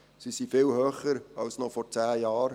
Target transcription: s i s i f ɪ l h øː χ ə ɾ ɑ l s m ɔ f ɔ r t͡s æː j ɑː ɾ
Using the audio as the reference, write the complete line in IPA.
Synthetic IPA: s i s i f ɪ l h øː χ ə ɾ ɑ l s n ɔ f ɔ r t͡s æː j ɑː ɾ